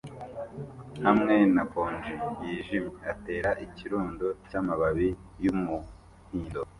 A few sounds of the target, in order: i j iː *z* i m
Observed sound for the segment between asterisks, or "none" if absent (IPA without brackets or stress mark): ʒ